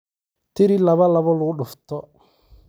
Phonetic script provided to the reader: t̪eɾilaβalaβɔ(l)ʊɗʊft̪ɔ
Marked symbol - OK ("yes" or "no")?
yes